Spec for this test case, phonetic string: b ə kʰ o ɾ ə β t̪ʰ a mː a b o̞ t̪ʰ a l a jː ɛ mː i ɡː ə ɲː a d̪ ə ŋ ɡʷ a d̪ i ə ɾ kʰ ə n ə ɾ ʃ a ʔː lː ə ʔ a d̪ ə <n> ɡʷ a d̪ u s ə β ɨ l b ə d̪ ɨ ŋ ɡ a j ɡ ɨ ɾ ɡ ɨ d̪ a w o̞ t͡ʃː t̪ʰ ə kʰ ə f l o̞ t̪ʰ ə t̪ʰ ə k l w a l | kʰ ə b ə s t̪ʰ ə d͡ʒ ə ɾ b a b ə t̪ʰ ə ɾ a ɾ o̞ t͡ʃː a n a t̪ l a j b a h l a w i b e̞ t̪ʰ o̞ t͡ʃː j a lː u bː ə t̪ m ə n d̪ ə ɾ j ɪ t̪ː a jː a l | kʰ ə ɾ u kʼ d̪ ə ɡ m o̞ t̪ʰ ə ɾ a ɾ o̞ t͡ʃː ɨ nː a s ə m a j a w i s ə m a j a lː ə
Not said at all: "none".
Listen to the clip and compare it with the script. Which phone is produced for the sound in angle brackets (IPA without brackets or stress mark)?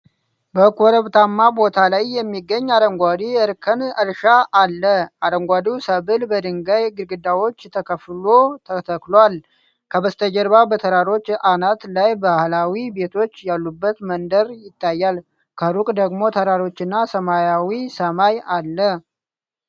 ŋ